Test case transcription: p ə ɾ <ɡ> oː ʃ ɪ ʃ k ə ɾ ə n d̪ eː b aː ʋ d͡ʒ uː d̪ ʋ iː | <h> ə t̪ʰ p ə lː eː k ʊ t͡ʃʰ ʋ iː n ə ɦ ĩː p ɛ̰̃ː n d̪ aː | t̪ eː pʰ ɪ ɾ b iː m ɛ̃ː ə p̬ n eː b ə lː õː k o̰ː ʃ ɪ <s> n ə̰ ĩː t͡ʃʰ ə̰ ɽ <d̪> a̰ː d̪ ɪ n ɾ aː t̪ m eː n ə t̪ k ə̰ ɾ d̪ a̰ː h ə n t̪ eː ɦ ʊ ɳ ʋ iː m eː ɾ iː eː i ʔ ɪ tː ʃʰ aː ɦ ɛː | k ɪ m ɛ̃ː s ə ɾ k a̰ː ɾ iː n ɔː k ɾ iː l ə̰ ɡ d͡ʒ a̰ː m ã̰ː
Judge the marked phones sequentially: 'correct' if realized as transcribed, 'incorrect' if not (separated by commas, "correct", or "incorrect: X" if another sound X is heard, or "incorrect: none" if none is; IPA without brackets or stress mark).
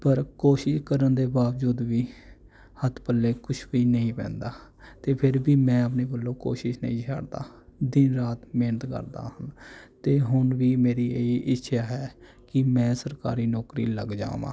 incorrect: k, correct, incorrect: ʃ, correct